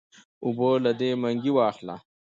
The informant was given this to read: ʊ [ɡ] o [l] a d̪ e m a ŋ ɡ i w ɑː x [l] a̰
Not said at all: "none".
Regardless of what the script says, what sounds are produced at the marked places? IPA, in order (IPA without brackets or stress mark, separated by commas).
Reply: b, l, l